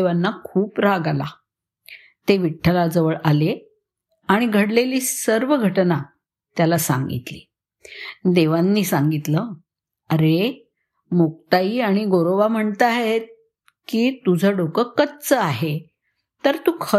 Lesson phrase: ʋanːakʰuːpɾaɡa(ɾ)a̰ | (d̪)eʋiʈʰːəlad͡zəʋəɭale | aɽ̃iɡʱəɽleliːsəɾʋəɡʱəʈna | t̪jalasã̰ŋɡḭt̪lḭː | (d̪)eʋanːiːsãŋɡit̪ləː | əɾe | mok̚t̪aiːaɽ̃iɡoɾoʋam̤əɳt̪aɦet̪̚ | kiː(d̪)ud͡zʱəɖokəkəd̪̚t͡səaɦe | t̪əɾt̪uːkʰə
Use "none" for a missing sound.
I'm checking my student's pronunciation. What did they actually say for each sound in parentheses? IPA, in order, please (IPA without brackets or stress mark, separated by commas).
l, t̪, d̪, t̪